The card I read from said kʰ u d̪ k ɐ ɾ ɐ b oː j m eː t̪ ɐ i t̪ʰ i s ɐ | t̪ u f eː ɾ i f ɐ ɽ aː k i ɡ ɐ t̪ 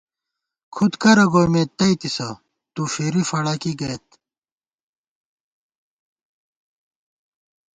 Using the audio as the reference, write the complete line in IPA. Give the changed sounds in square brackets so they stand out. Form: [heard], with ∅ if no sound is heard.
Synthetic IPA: kʰ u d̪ k ɐ ɾ ɐ [ɡ] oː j m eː t̪ ɐ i [t̪] i s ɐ | t̪ u f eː ɾ i f ɐ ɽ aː k i ɡ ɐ t̪